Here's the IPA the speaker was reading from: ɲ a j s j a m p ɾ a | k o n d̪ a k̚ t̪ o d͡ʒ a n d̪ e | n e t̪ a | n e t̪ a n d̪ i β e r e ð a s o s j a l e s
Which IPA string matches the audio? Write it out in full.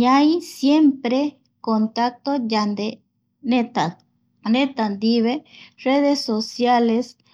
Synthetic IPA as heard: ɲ a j s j e m p ɾ e | k o n t̪ a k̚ t̪ o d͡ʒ a n d̪ e | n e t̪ a | n e t̪ a n d̪ i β e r e ð e s o s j a l e s